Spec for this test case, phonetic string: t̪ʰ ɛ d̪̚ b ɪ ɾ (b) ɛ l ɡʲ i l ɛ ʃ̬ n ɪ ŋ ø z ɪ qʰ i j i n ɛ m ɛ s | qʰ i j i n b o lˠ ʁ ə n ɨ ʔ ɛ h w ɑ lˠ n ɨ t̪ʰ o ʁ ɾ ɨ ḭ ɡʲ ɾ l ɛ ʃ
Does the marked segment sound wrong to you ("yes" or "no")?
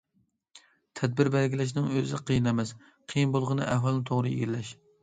no